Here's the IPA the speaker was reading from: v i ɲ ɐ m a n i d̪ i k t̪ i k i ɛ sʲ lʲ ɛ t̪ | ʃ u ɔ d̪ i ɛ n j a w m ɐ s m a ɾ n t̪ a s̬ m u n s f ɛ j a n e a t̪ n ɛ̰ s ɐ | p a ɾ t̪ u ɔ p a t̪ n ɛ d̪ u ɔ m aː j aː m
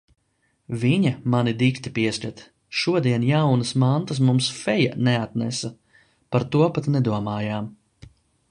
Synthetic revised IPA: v i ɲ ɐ m a n i d̪ i k t̪ i p i ɛ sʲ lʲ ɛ t̪ | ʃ u ɔ d̪ i ɛ n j a w n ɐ s m a n t̪ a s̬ m u m s f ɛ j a n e a t̪ n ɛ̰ s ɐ | p a ɾ t̪ u ɔ p a t̪ n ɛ d̪ u ɔ m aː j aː m

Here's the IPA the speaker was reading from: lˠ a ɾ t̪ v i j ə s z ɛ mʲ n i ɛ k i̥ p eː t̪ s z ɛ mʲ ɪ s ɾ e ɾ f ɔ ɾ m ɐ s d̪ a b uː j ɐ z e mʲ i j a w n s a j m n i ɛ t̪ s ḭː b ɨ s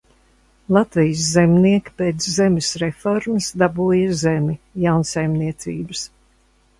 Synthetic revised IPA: lˠ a t̪ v i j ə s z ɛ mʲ n i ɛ k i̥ p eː t̪ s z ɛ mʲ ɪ s ɾ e f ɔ ɾ m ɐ s d̪ a b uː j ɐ z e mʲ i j a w n s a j m n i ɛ t̪ s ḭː b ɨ s

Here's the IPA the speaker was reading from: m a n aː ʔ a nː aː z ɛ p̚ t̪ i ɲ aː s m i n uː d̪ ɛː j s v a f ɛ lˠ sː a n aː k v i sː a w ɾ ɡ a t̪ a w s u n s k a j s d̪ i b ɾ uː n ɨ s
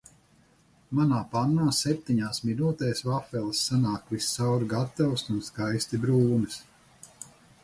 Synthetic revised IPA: m a n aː p a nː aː s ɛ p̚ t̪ i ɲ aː s m i n uː t̪ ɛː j s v a f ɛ lˠ sː a n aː k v i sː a w ɾ ɡ a t̪ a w s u n s k a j s t̪ i b ɾ uː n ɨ s

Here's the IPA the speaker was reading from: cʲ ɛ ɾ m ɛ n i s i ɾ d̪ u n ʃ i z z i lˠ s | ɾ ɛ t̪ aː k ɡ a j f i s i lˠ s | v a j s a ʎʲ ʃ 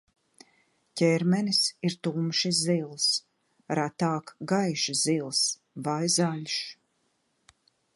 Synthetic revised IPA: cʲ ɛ ɾ m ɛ n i s i ɾ t̪ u m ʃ i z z i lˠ s | ɾ a t̪ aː k ɡ a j ʃ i z i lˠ s | v a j z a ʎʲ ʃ

